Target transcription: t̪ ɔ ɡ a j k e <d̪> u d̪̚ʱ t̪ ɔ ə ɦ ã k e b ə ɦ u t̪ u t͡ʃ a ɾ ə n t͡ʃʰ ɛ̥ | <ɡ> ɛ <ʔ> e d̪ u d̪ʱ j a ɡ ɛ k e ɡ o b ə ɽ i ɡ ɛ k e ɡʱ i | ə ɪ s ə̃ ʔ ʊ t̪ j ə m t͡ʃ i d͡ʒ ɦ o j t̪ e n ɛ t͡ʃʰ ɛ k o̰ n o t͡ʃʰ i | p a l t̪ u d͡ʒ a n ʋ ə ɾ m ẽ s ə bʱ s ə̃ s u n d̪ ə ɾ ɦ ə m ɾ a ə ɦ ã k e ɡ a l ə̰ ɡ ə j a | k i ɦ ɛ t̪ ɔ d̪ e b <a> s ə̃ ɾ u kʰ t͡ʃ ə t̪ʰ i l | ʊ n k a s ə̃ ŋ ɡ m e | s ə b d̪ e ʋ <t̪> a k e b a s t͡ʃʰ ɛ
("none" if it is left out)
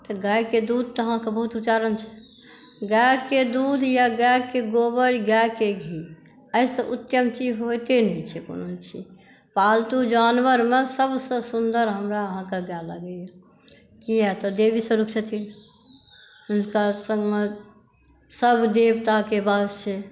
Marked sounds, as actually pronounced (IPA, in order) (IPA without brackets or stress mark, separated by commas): d̪, ɡ, k, i, t̪